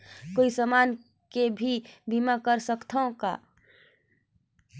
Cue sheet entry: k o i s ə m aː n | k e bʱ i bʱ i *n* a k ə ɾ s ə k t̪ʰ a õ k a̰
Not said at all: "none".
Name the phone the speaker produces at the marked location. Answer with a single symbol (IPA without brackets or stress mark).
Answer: m